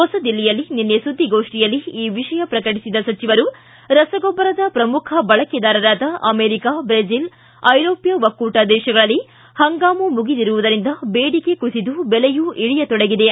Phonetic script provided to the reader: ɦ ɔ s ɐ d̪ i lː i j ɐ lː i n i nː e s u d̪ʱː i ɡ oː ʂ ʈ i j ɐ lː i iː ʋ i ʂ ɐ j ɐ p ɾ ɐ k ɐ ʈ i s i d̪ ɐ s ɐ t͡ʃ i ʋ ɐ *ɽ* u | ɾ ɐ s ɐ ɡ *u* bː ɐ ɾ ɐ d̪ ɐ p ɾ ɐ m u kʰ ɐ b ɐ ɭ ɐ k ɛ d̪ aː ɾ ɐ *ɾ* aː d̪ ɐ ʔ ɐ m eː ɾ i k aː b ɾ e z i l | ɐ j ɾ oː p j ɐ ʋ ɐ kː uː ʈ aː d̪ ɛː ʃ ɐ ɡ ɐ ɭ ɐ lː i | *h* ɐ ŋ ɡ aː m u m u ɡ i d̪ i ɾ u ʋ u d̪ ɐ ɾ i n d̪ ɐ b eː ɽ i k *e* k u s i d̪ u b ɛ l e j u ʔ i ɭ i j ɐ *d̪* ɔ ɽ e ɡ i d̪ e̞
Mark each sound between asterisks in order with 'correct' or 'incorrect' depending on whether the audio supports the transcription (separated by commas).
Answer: incorrect, incorrect, correct, correct, correct, incorrect